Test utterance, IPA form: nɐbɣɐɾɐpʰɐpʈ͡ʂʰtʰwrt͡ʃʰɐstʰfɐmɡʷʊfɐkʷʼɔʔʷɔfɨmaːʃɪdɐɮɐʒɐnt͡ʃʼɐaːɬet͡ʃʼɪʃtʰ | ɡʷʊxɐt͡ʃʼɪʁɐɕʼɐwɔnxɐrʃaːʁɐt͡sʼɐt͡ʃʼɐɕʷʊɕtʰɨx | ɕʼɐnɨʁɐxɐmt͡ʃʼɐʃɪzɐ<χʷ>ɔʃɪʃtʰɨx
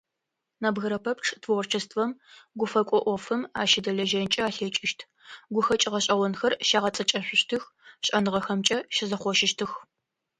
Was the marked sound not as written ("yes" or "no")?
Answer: no